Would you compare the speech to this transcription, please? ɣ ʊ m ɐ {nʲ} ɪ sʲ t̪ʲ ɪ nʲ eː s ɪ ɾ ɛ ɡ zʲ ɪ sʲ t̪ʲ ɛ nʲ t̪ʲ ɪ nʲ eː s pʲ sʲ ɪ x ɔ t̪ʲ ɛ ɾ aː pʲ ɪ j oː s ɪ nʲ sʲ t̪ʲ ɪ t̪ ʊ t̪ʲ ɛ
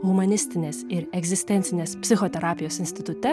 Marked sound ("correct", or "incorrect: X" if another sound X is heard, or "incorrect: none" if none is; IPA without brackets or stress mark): correct